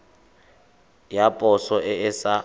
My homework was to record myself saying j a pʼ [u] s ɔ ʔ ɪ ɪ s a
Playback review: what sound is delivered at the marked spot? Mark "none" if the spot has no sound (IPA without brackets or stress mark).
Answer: ɔ